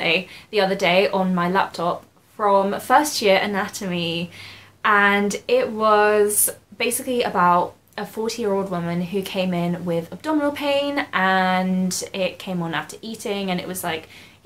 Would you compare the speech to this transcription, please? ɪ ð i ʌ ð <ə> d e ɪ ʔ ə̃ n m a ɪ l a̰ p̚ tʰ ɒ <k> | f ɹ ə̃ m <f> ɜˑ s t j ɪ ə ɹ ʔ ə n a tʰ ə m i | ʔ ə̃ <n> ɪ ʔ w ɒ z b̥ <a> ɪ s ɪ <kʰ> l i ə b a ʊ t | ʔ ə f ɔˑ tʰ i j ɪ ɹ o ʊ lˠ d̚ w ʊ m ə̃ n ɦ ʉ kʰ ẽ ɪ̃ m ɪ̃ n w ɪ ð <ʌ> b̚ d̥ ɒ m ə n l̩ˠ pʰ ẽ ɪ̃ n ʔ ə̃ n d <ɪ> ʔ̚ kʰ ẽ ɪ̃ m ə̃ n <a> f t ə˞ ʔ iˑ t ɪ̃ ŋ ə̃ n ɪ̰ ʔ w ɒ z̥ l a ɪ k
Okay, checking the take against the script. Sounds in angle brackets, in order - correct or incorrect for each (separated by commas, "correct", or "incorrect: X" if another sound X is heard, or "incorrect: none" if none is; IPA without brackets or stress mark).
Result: correct, incorrect: p, correct, correct, incorrect: e, incorrect: k, incorrect: ə, correct, correct